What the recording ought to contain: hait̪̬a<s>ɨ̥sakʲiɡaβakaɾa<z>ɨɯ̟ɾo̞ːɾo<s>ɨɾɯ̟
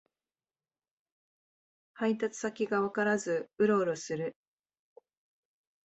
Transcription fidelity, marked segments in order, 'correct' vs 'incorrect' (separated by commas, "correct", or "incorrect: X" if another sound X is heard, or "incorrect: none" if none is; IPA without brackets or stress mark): incorrect: t͡s, correct, correct